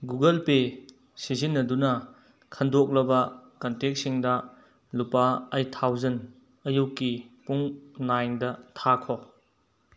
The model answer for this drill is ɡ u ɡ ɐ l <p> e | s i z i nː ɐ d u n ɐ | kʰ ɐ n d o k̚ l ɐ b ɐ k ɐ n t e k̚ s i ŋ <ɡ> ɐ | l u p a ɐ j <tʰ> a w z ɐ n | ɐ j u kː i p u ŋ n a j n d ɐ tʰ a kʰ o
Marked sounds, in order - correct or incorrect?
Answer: correct, incorrect, correct

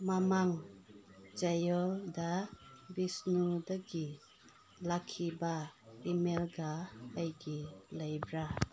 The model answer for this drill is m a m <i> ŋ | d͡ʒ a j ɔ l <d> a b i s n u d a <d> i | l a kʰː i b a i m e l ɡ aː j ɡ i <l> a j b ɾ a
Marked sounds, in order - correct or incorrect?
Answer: incorrect, correct, incorrect, correct

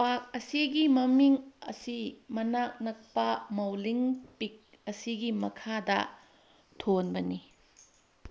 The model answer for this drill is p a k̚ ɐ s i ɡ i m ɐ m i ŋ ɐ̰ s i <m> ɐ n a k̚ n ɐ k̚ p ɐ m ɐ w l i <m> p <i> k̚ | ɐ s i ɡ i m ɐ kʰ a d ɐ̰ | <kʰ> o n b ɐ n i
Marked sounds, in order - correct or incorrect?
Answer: correct, incorrect, correct, incorrect

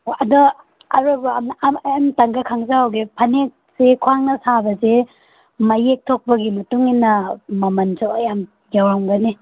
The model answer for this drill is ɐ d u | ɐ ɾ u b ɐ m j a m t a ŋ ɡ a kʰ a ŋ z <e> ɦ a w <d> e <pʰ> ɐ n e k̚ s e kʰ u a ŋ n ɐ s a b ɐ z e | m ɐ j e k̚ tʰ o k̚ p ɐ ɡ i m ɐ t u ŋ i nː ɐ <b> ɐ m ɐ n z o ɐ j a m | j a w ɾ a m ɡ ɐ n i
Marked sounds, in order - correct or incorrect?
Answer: incorrect, incorrect, correct, incorrect

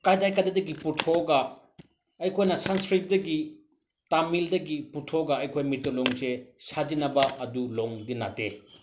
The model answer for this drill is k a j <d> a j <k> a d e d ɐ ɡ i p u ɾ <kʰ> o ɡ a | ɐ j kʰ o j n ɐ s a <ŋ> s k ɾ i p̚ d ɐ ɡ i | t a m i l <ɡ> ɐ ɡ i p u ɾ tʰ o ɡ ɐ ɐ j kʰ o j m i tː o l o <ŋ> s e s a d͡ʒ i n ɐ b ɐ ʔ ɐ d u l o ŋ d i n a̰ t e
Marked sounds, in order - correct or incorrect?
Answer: correct, correct, incorrect, incorrect, incorrect, correct

